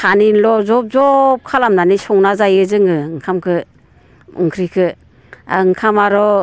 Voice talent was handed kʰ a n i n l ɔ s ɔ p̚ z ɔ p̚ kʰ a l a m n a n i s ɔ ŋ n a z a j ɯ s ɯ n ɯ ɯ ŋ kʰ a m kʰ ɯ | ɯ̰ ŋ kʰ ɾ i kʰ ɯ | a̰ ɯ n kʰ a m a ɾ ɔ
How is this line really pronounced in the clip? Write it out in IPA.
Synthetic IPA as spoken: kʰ a n i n l ɔ z ɔ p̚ z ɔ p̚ kʰ a l a m n a n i s ɔ ŋ n a z a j ɯ z ɯ ŋ ɯ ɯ ŋ kʰ a m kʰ ɯ | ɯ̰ ŋ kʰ ɾ i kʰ ɯ | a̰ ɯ ŋ kʰ a m a ɾ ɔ